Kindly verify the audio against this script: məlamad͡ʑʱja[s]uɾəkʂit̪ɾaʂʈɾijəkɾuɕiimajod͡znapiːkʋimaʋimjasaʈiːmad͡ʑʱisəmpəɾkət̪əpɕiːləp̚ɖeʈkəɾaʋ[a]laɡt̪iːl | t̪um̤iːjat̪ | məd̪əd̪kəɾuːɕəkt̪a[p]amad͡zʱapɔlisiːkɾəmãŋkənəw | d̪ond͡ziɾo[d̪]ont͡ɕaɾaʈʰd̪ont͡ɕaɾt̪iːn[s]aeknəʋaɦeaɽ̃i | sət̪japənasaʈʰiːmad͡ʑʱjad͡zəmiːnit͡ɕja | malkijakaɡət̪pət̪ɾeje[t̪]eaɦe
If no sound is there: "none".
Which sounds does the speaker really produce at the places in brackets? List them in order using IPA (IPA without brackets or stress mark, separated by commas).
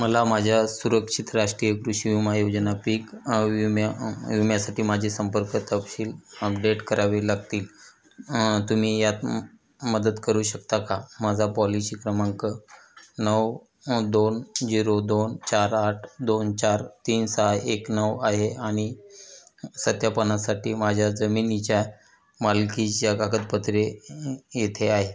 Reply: s, e, k, d̪, s, t̪ʰ